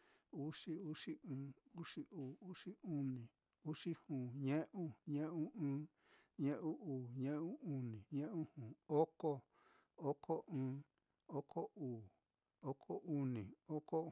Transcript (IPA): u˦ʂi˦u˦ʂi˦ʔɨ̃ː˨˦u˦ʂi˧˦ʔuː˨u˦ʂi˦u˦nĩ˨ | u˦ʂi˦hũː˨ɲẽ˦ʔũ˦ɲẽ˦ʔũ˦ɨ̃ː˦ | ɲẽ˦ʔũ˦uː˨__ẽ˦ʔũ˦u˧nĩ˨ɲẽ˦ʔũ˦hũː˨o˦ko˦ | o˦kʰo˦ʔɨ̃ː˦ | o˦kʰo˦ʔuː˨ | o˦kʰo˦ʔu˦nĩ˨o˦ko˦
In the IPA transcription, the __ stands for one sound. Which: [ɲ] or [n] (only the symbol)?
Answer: ɲ